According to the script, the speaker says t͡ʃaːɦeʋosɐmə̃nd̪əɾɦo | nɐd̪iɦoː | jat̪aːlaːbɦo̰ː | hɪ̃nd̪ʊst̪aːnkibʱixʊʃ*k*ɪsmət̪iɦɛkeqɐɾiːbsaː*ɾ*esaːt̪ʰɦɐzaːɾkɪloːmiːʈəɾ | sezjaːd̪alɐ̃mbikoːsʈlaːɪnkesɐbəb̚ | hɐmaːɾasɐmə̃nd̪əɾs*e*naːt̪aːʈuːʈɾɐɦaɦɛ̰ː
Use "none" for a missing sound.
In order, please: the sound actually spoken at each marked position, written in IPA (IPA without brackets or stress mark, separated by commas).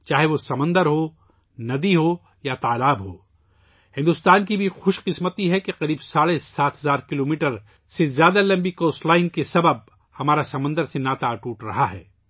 q, ɽ, e